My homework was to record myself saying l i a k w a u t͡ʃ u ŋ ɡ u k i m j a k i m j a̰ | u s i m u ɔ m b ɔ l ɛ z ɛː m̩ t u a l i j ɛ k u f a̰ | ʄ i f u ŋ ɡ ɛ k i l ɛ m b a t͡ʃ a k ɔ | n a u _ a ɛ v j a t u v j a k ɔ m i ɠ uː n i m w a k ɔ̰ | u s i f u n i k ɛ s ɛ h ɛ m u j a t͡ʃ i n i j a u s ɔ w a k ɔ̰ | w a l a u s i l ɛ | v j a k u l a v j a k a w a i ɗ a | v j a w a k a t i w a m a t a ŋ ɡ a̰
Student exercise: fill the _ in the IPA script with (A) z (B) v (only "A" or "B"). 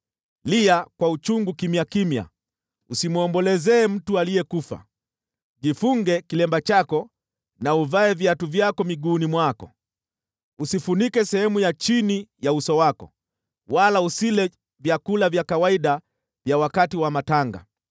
B